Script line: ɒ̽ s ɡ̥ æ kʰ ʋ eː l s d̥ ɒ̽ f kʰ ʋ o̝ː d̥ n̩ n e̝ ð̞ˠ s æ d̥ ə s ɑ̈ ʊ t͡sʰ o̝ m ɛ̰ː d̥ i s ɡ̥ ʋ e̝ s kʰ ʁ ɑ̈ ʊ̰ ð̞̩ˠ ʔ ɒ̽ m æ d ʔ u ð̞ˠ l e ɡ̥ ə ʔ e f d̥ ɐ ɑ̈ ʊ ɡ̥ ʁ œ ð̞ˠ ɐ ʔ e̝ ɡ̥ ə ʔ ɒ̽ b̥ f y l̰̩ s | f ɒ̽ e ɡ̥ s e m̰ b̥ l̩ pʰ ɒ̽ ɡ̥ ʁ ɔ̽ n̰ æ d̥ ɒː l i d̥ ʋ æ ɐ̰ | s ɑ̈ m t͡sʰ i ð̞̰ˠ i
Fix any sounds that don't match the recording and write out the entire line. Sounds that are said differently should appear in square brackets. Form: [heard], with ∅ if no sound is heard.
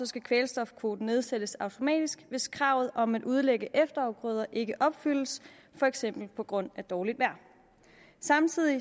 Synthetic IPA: ɒ̽ s ɡ̥ æ kʰ ʋ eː l s d̥ ɒ̽ f kʰ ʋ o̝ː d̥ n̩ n e̝ ð̞ˠ s [e] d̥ ə s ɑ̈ ʊ t͡sʰ o̝ m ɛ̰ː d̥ i s ɡ̥ ʋ e̝ s kʰ ʁ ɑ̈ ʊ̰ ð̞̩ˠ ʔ ɒ̽ m æ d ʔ u ð̞ˠ l e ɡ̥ ə ʔ e f d̥ ɐ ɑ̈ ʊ ɡ̥ ʁ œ ð̞ˠ ɐ ʔ e̝ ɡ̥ ə ʔ ɒ̽ b̥ f y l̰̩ s | f ɒ̽ e ɡ̥ s e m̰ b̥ l̩ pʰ ɒ̽ ɡ̥ ʁ ɔ̽ n̰ æ d̥ ɒː l i d̥ ʋ æ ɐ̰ | s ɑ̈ m t͡sʰ i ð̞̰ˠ i